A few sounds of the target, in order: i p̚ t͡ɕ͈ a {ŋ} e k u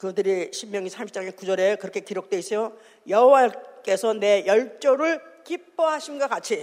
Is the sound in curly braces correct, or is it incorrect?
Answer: correct